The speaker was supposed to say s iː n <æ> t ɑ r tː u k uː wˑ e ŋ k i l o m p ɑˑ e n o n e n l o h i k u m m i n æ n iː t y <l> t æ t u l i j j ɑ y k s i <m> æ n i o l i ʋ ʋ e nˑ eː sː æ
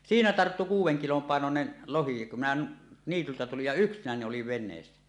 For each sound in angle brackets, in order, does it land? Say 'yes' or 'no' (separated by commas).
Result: yes, yes, no